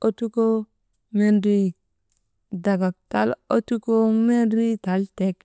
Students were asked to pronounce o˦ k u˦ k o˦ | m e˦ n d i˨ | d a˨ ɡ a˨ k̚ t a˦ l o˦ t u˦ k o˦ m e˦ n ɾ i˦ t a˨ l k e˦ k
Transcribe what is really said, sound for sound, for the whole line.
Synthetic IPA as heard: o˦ t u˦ k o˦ | m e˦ n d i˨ | d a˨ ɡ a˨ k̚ t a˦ l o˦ t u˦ k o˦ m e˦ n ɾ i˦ t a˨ l t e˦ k